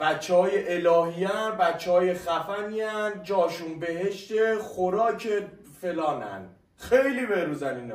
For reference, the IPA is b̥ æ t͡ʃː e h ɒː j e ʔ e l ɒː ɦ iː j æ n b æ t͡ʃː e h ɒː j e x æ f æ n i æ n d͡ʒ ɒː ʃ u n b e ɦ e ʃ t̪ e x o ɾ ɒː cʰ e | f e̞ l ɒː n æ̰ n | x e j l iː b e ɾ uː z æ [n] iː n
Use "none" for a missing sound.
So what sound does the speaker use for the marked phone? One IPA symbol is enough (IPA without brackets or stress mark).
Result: n